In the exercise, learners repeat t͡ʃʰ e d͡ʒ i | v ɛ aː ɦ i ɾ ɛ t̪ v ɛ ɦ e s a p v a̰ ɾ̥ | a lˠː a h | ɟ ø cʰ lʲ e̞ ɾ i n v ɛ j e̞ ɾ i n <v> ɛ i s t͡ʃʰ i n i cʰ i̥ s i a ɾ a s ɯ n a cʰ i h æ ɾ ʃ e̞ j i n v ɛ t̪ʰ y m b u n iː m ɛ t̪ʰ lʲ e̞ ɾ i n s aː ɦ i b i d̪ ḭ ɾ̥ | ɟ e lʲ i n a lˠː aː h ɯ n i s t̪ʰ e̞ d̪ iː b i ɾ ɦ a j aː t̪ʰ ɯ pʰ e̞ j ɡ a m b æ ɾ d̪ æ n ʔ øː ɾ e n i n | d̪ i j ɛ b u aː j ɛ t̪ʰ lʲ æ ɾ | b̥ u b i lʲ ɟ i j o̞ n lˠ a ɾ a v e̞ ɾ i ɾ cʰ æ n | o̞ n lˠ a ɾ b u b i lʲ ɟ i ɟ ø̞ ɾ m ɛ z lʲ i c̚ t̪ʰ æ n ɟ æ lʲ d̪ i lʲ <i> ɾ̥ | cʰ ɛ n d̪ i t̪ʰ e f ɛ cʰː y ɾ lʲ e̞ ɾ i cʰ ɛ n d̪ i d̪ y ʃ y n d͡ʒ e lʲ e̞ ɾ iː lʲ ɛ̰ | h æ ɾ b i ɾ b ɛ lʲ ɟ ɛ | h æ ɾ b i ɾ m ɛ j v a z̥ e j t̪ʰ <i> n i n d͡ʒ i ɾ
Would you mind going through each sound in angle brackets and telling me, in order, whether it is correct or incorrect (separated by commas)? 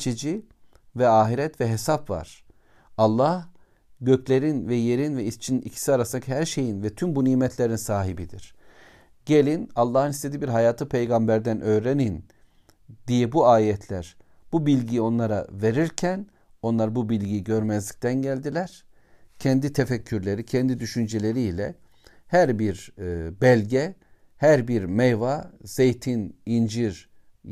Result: correct, incorrect, correct